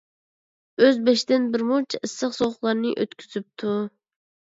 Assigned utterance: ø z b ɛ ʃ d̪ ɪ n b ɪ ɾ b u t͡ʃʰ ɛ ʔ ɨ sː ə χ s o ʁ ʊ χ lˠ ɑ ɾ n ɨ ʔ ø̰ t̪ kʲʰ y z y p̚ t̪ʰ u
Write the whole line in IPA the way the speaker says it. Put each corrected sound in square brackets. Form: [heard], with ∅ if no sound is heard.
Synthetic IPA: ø z b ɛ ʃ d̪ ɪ n b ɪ ɾ [m] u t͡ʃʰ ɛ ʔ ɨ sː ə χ s o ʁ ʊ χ lˠ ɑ ɾ n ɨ ʔ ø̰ t̪ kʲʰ y z y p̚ t̪ʰ u